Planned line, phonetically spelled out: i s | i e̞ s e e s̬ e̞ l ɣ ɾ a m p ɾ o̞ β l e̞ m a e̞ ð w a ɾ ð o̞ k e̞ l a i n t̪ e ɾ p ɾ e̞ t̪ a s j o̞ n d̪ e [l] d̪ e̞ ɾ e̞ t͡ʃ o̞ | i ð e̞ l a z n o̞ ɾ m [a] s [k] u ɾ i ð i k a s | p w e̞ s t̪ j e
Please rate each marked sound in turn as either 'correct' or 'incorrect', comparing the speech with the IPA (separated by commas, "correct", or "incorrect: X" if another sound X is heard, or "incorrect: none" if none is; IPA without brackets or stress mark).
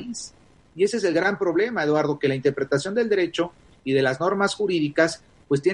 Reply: correct, correct, incorrect: x